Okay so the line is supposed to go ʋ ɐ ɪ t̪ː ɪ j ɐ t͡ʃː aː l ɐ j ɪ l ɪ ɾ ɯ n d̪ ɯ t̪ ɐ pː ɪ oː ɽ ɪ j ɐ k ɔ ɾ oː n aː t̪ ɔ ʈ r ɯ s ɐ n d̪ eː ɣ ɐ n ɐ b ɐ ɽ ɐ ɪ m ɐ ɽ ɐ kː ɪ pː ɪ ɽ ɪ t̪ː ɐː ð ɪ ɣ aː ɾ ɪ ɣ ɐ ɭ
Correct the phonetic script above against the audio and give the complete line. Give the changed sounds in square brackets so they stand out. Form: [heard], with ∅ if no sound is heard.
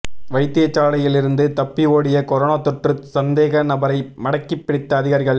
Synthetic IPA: ʋ ɐ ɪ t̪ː ɪ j ɐ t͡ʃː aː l ɐ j ɪ l ɪ ɾ ɯ n d̪ ɯ t̪ ɐ pː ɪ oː ɽ ɪ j ɐ k ɔ ɾ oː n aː t̪ ɔ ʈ r ɯ s ɐ n d̪ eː ɣ ɐ n ɐ b ɐ [ɾ] ɐ ɪ m ɐ ɽ ɐ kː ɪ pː ɪ ɽ ɪ t̪ː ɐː ð ɪ ɣ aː ɾ ɪ ɣ ɐ ɭ